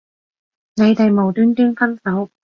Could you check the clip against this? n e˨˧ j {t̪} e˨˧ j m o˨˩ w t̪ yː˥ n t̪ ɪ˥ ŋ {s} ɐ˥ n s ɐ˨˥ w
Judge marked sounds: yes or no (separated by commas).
yes, no